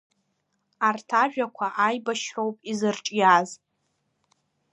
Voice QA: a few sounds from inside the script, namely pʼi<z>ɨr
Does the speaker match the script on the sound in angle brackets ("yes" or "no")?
yes